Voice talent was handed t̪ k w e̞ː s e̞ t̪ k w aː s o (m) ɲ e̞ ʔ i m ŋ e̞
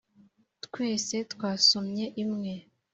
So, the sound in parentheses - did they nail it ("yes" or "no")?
yes